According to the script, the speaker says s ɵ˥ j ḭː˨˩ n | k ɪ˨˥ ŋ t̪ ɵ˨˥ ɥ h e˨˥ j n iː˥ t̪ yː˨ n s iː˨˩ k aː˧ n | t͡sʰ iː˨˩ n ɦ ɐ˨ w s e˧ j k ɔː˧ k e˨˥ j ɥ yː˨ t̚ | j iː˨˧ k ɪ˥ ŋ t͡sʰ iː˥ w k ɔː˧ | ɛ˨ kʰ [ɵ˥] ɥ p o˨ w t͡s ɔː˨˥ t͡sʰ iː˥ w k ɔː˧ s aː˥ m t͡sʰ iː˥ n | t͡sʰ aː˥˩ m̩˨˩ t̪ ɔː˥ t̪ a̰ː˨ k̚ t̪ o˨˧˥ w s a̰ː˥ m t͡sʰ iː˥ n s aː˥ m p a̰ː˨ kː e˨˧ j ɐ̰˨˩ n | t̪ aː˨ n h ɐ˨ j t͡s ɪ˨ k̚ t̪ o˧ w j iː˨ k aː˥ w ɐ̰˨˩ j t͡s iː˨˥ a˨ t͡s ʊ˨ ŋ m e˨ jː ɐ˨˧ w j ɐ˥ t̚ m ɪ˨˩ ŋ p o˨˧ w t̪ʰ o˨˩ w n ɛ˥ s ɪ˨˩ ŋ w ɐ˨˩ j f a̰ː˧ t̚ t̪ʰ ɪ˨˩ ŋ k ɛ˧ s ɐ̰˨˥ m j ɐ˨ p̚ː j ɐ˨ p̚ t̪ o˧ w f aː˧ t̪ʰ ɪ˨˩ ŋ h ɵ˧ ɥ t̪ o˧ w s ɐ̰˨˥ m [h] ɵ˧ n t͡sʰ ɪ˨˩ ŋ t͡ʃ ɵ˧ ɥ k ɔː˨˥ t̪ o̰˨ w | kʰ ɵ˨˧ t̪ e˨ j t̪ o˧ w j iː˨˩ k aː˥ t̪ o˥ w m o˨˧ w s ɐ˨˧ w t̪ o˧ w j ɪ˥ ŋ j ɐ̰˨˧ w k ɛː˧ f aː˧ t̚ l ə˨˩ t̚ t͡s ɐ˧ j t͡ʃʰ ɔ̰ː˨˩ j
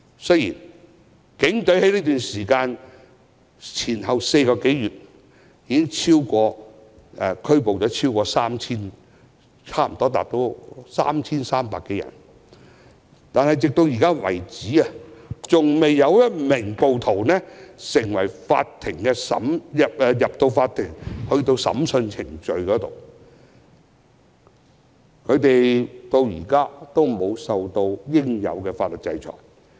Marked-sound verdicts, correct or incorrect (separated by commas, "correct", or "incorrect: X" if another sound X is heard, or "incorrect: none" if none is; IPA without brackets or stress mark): correct, incorrect: s